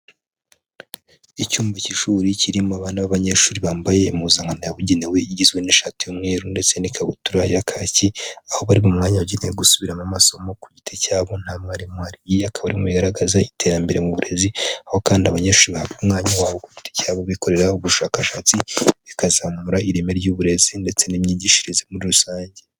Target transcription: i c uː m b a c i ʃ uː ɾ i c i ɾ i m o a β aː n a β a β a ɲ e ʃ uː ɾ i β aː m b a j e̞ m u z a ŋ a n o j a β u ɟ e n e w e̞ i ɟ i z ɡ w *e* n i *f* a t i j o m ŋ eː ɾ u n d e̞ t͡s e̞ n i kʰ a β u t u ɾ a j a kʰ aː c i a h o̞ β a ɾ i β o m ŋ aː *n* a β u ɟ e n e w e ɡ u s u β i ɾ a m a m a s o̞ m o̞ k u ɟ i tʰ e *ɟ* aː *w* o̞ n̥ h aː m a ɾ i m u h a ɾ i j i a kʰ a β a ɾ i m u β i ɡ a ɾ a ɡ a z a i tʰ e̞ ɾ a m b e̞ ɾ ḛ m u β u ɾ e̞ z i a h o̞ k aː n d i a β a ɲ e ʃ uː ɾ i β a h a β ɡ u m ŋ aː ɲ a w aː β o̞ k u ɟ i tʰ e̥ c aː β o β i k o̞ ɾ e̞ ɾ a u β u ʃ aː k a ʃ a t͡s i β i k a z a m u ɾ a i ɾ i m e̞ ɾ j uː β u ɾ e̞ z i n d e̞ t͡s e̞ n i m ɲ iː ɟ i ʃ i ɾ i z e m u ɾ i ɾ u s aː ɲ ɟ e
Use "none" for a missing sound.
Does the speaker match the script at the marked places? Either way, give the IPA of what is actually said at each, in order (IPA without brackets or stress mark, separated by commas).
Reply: e, ʃ, ɲ, c, β